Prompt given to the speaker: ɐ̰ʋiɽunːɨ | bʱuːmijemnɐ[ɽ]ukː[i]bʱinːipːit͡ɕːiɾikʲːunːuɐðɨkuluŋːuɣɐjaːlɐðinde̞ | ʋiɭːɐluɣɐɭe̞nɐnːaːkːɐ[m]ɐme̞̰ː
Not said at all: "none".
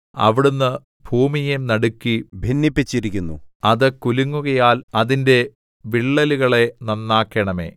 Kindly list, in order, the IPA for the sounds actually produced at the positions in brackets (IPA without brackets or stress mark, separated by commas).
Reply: ɽ, i, ɳ